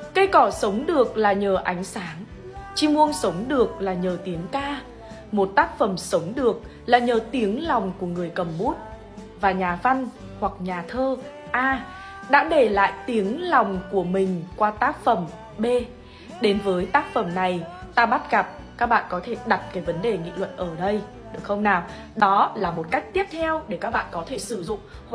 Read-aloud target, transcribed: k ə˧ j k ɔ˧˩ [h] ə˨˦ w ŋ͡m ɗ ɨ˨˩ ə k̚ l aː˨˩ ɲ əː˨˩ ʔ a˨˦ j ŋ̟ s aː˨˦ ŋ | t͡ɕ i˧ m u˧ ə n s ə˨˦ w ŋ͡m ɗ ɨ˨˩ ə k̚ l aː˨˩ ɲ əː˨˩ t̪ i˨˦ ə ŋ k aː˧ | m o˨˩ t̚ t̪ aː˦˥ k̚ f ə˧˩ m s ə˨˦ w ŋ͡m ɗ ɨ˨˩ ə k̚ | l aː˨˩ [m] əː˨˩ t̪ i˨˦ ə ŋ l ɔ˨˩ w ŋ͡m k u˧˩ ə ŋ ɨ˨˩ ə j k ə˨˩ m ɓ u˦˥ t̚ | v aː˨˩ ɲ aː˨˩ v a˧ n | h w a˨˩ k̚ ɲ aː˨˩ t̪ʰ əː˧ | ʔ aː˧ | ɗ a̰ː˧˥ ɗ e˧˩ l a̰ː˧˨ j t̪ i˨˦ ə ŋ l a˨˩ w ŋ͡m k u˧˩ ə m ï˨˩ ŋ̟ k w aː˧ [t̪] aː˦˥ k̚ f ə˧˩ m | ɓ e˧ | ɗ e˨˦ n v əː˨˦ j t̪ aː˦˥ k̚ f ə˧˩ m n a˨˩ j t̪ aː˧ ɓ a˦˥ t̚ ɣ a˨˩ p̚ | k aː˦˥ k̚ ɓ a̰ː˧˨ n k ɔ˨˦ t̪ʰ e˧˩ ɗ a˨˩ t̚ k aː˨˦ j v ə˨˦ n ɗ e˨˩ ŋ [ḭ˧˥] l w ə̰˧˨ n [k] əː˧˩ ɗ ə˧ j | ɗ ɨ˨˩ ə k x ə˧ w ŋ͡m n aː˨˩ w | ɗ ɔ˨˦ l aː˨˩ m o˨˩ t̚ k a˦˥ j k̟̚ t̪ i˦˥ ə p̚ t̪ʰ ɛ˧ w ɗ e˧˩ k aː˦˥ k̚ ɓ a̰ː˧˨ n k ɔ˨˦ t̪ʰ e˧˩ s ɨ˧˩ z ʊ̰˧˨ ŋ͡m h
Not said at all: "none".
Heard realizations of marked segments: s, ɲ, t̪, ḭ˧˨, ʔ

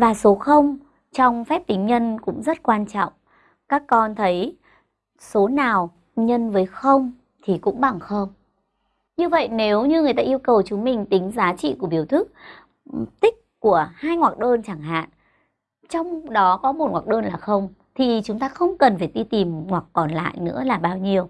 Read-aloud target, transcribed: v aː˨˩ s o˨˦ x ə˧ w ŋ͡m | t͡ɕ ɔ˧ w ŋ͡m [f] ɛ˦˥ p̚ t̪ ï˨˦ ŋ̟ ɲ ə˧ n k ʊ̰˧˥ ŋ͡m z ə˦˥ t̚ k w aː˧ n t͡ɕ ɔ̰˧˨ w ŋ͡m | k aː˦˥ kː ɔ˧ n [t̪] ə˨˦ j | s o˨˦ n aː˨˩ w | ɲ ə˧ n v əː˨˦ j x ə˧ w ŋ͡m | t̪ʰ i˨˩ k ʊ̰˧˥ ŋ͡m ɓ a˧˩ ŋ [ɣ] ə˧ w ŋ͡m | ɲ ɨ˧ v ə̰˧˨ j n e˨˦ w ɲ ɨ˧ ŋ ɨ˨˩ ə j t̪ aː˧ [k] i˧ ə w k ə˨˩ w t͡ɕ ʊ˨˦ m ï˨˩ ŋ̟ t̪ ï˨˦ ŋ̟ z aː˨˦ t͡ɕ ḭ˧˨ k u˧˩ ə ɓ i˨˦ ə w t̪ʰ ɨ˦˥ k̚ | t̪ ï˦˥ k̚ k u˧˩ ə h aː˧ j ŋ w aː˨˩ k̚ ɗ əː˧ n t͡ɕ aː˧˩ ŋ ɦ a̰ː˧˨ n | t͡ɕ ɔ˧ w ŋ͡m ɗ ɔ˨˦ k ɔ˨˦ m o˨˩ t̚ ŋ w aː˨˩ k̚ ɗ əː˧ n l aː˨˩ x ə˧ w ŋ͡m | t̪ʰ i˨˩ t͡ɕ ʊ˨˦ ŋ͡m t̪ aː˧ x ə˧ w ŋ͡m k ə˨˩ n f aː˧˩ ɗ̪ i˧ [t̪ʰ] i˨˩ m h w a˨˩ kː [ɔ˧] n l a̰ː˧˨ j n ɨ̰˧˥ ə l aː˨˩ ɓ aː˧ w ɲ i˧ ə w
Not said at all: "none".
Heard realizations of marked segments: f, t̪ʰ, x, ʔ, t̪, ɔ˨˩

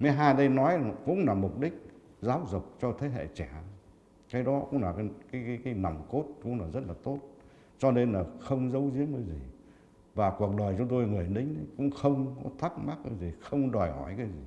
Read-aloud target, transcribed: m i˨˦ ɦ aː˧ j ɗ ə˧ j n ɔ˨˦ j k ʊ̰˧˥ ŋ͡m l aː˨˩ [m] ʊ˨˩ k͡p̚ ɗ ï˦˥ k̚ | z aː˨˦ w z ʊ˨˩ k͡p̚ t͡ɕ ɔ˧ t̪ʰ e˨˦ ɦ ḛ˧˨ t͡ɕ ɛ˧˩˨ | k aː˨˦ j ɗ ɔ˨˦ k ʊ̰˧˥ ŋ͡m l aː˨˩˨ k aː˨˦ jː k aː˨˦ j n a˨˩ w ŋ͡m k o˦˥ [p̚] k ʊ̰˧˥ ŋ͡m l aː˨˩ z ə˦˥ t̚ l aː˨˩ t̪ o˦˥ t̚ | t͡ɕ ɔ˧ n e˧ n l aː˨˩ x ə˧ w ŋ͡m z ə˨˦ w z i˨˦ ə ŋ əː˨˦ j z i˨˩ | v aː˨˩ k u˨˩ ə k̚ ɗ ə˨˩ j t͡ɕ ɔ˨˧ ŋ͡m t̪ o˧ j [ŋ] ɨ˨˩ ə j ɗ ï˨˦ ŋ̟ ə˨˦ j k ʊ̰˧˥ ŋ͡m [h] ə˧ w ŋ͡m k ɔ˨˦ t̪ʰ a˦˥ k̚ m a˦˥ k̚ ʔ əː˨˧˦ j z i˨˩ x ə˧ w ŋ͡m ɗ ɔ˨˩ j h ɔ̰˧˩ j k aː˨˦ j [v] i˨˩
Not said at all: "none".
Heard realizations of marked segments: m, t̚, ŋ, x, z

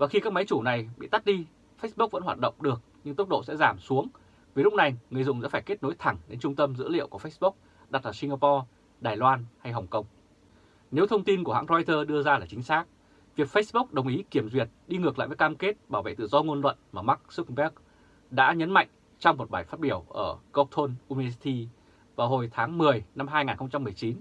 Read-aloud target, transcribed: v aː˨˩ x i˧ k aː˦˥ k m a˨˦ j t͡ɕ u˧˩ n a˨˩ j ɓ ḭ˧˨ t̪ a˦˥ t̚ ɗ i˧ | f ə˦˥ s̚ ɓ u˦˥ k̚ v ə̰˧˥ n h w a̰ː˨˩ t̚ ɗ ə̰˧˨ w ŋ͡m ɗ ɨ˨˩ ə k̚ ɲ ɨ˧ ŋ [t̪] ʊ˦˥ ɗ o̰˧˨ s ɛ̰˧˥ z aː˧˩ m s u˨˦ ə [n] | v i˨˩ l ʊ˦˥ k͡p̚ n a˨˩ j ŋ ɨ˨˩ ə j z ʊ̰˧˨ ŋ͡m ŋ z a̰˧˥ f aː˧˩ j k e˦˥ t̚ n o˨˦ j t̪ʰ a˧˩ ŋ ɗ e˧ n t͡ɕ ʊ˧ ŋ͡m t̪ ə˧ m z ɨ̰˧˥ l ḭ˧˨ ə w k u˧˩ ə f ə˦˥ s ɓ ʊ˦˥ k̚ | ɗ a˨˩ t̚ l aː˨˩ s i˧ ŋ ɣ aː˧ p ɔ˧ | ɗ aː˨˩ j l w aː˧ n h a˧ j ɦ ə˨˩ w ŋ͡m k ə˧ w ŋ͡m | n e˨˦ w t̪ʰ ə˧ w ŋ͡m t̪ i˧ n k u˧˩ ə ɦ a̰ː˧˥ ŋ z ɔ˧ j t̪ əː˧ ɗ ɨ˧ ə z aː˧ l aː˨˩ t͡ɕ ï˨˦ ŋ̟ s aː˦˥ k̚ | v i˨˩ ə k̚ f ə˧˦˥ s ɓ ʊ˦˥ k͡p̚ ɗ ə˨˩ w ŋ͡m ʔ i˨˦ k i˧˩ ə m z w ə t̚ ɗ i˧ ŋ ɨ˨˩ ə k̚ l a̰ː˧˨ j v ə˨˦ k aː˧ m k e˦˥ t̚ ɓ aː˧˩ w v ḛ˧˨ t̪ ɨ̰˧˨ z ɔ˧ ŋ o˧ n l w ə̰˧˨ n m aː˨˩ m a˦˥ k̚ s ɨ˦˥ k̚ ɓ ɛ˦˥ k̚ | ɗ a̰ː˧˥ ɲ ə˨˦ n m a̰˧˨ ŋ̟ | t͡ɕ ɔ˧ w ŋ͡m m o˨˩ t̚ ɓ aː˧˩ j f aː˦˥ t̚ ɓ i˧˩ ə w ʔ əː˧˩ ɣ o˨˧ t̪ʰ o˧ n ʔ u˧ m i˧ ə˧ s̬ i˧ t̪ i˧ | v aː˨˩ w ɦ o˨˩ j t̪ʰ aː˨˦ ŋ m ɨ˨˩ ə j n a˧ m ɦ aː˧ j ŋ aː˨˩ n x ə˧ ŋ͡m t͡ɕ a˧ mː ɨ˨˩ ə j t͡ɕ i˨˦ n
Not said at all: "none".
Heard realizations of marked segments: t̪, ŋ

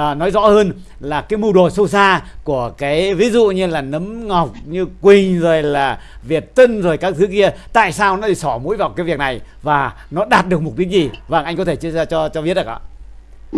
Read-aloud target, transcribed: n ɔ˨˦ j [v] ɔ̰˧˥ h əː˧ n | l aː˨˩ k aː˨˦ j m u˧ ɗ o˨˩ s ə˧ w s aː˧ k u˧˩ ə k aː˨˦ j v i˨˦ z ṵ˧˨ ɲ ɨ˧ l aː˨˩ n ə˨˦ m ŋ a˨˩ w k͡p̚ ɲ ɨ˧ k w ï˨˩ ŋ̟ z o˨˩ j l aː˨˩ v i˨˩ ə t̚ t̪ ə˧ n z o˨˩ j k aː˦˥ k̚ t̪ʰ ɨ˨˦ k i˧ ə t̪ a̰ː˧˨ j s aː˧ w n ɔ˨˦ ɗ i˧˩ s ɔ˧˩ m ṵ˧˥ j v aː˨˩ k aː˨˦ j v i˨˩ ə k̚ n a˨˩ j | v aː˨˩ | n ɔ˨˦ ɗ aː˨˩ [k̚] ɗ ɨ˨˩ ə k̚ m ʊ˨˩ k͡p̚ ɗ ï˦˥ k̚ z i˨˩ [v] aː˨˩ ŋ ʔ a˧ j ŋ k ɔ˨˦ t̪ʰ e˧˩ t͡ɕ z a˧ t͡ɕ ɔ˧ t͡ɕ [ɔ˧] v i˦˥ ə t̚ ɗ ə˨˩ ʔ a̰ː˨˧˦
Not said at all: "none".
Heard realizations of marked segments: z, t̚, v, ɔ˧

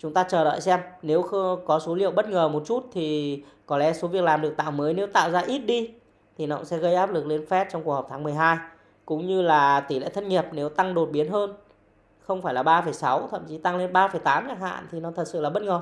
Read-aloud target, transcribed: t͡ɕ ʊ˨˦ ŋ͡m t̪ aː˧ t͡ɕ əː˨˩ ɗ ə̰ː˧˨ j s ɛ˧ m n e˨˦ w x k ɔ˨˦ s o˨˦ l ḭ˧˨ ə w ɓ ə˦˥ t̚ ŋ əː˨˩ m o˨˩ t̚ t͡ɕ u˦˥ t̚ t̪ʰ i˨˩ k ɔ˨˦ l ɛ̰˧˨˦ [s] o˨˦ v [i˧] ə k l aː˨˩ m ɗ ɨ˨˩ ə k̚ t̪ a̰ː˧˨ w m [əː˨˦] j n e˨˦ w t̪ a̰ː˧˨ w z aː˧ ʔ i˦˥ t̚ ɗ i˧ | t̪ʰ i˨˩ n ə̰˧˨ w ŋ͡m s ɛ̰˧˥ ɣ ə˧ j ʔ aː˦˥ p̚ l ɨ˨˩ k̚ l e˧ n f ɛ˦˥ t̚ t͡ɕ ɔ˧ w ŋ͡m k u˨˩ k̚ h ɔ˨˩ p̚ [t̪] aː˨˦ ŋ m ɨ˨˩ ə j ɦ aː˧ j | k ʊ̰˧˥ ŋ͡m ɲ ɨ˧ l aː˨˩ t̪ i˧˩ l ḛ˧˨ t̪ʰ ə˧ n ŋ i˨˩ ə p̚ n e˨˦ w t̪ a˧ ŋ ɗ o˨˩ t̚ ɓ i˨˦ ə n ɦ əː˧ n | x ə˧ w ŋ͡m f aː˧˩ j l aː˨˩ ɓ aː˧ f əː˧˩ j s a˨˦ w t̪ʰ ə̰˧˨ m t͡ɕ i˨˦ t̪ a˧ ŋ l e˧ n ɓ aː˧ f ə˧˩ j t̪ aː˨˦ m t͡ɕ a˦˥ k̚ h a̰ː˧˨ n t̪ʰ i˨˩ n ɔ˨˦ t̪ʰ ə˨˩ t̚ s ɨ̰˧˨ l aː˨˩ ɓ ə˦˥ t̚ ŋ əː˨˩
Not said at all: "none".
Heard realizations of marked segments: s, i˨˩, əː˨˦, t̪ʰ

